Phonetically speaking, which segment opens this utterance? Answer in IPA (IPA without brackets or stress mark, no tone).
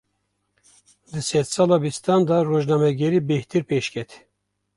d̪